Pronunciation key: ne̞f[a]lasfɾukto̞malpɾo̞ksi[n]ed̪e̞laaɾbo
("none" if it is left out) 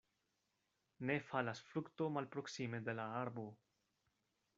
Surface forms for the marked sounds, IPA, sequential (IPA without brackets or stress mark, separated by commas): a, m